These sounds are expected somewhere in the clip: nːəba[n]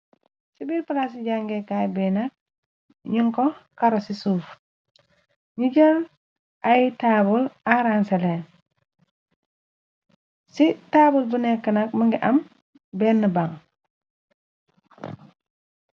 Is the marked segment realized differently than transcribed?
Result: yes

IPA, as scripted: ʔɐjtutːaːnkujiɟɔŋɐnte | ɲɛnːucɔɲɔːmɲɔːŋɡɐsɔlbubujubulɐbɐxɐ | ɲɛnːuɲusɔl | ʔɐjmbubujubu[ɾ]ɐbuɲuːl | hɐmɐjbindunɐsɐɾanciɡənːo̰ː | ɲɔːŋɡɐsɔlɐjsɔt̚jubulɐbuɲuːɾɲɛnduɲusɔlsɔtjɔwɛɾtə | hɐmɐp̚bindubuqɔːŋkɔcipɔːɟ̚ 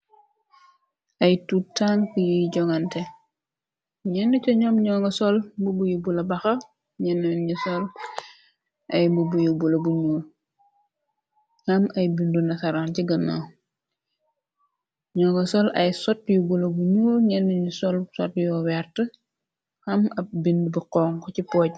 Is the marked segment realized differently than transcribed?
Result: yes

